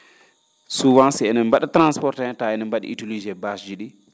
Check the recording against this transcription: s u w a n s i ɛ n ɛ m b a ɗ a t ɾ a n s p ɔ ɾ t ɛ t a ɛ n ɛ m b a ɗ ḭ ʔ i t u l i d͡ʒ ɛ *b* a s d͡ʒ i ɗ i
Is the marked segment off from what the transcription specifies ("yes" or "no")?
no